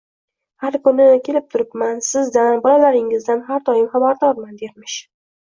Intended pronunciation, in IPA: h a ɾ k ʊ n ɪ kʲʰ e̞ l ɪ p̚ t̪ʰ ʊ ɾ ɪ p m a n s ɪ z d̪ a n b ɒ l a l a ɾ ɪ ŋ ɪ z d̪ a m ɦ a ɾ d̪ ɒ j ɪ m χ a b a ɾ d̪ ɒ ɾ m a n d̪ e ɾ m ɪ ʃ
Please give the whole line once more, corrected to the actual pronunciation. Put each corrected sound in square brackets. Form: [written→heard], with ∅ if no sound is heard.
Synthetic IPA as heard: h a ɾ k ʊ n ɪ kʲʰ e̞ l ɪ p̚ t̪ʰ ʊ ɾ ɪ p m a n s ɪ z d̪ a n b ɒ l a l a ɾ ɪ ŋ ɪ z d̪ a [m→n] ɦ a ɾ d̪ ɒ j ɪ m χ a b a ɾ d̪ ɒ ɾ m a n d̪ e ɾ m ɪ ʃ